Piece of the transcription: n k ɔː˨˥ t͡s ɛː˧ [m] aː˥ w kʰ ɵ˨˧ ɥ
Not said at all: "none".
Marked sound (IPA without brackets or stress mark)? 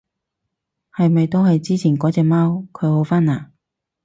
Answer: m